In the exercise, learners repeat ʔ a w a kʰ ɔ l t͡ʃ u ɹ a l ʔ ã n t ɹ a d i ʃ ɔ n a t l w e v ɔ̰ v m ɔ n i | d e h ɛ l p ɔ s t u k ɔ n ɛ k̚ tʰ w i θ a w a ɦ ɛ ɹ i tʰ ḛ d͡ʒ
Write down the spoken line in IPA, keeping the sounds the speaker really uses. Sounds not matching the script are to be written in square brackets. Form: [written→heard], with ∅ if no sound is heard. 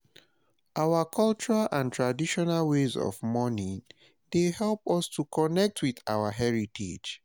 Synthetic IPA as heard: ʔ a w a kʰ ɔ l t͡ʃ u ɹ a l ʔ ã n t ɹ a d i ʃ ɔ n a [t→∅] l w e [v→z] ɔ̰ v m ɔ n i | d e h ɛ l p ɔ s t u k ɔ n ɛ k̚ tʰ w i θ a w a ɦ ɛ ɹ i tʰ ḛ d͡ʒ